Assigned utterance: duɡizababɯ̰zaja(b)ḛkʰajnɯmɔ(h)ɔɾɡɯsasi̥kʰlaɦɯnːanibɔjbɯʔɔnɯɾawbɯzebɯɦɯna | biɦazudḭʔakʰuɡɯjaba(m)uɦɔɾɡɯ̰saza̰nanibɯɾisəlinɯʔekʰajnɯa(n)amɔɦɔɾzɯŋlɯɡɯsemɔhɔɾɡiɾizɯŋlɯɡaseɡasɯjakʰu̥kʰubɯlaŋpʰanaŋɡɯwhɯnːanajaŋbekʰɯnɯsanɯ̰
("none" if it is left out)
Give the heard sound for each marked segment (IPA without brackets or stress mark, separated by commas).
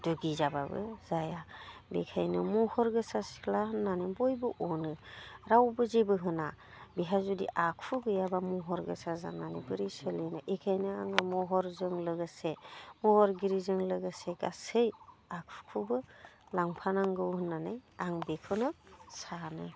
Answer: b, h, m, ŋ